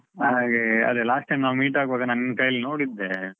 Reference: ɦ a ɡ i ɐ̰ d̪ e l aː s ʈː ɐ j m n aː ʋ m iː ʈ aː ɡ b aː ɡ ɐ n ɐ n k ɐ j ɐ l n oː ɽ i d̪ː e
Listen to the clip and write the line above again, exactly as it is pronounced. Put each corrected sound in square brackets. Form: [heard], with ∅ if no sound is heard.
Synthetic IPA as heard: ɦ a ɡ [e] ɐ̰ d̪ e l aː s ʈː ɐ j m n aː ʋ m iː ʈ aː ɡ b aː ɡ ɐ n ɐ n k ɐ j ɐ l n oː ɽ i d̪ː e

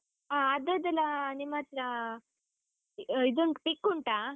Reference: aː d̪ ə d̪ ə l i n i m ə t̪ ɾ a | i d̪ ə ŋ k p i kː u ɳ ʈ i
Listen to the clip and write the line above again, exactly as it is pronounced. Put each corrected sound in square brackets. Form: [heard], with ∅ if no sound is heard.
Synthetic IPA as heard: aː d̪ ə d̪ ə l [a] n i m [a] t̪ ɾ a | i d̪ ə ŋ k p i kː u ɳ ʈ [a]

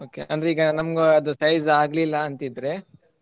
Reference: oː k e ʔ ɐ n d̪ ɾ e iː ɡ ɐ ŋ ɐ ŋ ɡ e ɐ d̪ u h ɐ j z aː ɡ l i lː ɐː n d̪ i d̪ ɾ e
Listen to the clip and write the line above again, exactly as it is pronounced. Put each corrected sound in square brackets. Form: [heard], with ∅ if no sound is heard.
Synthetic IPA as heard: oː k e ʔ ɐ n d̪ ɾ e iː ɡ ɐ [n] ɐ [m] ɡ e ɐ d̪ u [s] ɐ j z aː ɡ l i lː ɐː n [t̪] i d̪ ɾ e

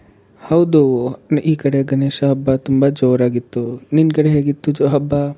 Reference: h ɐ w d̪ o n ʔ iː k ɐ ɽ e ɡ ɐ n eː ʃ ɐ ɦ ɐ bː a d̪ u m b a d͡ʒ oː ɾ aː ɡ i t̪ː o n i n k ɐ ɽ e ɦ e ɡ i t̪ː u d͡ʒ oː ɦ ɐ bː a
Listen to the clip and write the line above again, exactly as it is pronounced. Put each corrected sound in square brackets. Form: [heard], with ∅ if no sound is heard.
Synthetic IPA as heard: h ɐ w d̪ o n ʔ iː k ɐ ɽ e ɡ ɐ n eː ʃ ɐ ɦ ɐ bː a [t̪] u m b a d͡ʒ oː ɾ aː ɡ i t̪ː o n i n k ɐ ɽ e ɦ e ɡ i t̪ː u d͡ʒ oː ɦ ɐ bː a

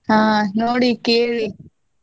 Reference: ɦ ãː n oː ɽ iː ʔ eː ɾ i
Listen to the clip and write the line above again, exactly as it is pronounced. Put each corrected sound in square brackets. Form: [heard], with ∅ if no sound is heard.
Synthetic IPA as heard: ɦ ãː n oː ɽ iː [k] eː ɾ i

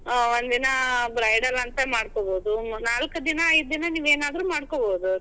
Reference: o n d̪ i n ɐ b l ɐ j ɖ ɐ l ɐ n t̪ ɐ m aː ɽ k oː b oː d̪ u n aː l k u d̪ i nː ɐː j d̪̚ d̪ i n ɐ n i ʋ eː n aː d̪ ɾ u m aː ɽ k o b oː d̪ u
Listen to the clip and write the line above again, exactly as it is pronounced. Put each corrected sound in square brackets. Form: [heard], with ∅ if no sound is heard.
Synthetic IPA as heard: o n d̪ i n ɐ b [ɾ] ɐ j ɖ ɐ l ɐ n t̪ ɐ m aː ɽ k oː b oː d̪ u n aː l k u d̪ i [n] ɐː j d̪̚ d̪ i n ɐ n [iː] ʋ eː n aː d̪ ɾ u m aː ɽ k o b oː d̪ u

